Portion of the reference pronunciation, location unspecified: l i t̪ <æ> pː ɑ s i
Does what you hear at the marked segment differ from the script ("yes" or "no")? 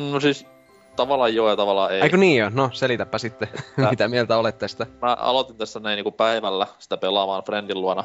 no